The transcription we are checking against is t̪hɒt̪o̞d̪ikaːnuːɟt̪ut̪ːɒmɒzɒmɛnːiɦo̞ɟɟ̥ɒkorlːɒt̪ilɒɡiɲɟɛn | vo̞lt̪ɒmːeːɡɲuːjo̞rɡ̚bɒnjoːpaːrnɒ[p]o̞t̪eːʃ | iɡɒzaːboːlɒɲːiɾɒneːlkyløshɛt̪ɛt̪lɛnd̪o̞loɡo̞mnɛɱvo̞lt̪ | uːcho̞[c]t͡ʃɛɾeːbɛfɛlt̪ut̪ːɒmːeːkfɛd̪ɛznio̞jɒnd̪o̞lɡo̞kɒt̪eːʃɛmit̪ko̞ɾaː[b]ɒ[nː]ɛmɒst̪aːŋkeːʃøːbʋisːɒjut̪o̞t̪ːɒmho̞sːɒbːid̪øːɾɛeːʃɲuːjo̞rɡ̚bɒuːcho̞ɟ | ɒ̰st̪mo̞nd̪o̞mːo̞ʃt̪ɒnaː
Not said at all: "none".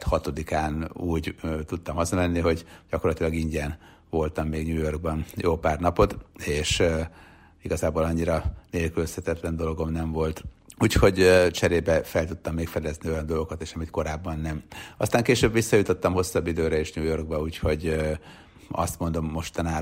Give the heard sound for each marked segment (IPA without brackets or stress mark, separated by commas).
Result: p, ɟ, bː, nː